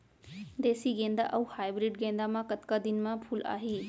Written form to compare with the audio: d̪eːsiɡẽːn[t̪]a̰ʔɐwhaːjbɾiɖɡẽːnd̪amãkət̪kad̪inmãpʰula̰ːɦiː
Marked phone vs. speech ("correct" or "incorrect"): incorrect